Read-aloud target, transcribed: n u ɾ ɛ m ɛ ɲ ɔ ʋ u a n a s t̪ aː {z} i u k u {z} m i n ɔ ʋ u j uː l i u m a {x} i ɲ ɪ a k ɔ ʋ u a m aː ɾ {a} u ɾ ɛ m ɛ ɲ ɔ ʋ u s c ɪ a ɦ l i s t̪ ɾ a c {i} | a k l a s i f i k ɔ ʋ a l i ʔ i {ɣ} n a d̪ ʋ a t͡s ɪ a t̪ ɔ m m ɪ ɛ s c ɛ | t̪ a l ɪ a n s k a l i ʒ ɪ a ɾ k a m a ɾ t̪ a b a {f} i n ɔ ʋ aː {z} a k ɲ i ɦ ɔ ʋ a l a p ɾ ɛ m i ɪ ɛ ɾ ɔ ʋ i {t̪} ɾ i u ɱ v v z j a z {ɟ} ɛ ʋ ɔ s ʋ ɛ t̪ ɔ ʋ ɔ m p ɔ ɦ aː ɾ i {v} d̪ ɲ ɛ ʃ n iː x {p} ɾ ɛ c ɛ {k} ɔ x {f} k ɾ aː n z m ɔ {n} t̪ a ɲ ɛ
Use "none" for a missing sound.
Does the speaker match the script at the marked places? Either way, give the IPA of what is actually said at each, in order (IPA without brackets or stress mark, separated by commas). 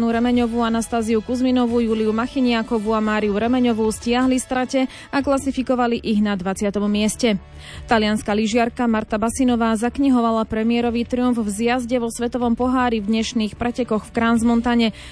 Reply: z, z, x, i, ɛ, ɣ, s, z, t̪, ɟ, v, p, k, f, n